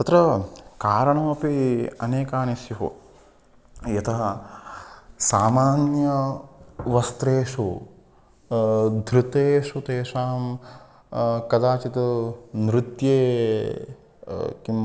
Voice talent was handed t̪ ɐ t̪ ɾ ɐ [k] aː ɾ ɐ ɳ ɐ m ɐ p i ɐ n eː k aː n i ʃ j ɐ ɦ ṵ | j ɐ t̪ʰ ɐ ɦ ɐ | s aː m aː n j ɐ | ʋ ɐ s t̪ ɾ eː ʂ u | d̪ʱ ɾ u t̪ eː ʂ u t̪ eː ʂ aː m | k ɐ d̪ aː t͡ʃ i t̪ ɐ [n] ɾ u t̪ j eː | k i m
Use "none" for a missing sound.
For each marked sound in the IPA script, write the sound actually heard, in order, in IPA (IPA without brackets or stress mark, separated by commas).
k, n